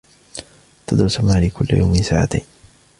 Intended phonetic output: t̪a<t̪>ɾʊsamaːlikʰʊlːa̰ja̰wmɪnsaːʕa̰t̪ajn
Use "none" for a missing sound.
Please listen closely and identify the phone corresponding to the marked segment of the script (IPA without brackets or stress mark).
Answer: d̪